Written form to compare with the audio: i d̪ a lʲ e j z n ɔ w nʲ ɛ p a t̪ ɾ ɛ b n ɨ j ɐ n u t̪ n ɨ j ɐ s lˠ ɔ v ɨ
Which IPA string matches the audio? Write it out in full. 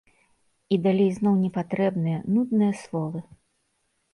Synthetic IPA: i d̪ a lʲ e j z n ɔ w nʲ ɛ p a t̪ ɾ ɛ b n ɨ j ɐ n u d̪ n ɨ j ɐ s lˠ ɔ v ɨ